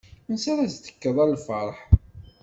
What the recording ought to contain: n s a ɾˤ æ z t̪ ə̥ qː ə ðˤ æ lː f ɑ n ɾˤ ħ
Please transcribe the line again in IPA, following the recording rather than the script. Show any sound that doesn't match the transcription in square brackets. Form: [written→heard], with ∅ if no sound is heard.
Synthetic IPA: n s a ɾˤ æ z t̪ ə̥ [qː→kː] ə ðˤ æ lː f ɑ [n→∅] ɾˤ ħ

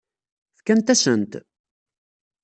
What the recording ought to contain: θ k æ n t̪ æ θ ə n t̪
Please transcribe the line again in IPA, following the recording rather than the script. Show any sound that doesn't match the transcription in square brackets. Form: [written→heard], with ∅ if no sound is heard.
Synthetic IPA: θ k æ n t̪ æ [θ→s] ə n t̪

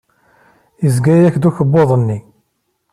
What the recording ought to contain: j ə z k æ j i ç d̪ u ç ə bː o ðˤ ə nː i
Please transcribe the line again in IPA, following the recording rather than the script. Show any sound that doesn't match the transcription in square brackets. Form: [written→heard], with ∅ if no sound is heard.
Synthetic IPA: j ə z [k→ɡ] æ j [i→æ] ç d̪ u ç ə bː o ðˤ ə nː i

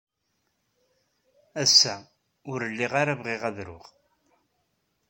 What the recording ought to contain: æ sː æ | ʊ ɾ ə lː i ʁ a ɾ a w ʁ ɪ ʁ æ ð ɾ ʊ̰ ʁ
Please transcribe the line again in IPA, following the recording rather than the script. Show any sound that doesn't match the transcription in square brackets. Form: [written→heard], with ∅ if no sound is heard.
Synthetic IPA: æ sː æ | ʊ ɾ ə lː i ʁ a ɾ a [w→v] ʁ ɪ ʁ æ ð ɾ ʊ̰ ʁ

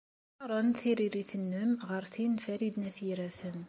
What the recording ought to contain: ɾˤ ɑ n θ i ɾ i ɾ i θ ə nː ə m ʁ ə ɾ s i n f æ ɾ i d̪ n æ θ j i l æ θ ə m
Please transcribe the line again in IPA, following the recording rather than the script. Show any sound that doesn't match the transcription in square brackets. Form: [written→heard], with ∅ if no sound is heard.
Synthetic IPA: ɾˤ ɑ n θ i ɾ i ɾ i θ ə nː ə m ʁ ə ɾ [s→θ] i n f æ ɾ i d̪ n æ θ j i [l→ɾ] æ θ ə m

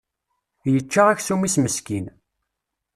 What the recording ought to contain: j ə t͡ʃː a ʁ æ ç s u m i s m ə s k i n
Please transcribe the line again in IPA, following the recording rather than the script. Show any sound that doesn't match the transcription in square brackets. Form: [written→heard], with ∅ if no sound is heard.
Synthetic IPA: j ə t͡ʃː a ʁ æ ç s u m i s m ə s k i n

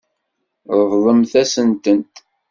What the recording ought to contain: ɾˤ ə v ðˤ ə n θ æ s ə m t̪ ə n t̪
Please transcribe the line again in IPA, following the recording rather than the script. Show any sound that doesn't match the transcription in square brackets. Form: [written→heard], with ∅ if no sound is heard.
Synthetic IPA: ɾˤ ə v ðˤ ə [n→m] θ æ s ə [m→n] t̪ ə n t̪

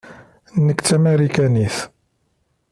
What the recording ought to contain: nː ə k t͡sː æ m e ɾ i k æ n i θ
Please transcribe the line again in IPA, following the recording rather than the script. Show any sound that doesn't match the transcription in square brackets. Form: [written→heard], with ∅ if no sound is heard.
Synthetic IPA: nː ə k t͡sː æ m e ɾ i k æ n i θ

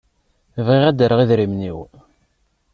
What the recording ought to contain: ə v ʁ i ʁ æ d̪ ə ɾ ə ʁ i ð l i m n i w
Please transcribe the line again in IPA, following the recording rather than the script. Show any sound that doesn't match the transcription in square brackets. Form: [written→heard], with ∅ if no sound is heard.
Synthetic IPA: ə v ʁ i ʁ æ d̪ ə ɾ ə ʁ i ð [l→ɾ] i m n i w

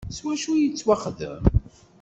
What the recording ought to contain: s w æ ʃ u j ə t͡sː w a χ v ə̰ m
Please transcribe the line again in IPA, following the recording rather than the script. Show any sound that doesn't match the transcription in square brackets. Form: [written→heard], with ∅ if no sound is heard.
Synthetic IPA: s w æ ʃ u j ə t͡sː w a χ [v→ð] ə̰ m

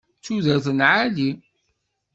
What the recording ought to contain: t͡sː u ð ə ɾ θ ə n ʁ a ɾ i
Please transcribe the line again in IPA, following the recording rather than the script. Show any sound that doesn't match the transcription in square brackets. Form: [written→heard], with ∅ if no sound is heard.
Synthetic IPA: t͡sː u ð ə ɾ θ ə n [ʁ→ʕ] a [ɾ→l] i

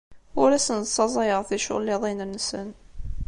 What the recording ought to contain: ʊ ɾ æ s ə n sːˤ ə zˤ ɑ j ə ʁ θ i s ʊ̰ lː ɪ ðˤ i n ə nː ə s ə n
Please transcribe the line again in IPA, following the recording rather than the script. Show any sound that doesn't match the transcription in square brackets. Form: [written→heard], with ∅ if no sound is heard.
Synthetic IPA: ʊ ɾ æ s ə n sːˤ [ə→ɑ] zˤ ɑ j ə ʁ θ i [s→ʃ] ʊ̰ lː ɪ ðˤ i n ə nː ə s ə n

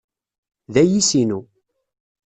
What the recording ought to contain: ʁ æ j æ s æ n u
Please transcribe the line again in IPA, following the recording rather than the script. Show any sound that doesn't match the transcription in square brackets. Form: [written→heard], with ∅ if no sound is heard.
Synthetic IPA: [ʁ→ð] æ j [æ→i] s [æ→i] n u

